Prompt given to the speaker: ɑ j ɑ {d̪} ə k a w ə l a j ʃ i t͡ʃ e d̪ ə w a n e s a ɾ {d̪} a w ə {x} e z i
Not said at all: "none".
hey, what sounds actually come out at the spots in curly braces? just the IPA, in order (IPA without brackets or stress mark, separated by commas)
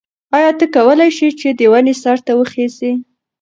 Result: t̪, t̪, x